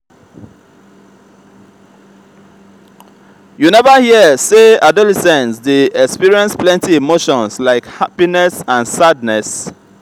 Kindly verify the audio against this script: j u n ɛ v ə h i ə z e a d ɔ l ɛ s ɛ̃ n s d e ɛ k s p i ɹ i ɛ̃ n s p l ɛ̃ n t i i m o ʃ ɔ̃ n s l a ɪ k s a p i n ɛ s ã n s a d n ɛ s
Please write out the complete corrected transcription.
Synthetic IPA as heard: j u n ɛ v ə h i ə s e a d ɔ l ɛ s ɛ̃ n s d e ɛ k s p i ɹ i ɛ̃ n s p l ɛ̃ n t i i m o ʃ ɔ̃ n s l a ɪ k h a p i n ɛ s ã n s a d n ɛ s